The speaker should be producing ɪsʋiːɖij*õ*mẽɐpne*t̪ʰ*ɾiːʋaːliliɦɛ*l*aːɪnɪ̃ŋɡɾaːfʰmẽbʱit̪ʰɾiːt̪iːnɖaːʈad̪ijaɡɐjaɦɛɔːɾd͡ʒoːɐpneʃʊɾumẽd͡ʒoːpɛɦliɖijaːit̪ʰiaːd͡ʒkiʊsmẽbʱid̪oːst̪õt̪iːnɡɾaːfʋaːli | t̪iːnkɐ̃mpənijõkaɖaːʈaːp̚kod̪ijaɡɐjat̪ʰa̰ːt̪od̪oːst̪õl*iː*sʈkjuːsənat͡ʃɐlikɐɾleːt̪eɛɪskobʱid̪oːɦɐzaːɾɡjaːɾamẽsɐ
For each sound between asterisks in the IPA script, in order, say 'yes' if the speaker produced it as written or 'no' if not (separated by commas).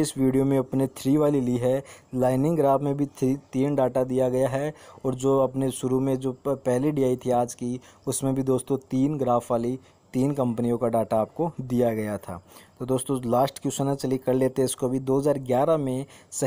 no, yes, yes, no